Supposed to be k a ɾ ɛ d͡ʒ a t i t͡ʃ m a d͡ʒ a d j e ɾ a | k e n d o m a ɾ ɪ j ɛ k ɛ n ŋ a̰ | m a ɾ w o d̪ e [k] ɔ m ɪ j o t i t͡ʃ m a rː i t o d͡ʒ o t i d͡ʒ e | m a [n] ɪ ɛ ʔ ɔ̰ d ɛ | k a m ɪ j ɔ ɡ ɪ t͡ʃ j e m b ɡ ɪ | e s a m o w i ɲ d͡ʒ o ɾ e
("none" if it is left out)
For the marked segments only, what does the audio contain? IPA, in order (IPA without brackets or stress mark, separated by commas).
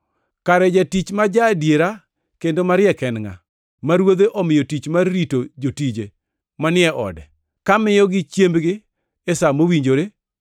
ʔ, n